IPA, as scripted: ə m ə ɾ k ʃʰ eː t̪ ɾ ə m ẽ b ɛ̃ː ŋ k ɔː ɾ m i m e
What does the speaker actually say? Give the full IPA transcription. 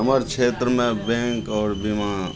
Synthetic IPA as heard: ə m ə ɾ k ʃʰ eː t̪ ɾ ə m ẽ b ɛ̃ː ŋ k ɔː ɾ b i m a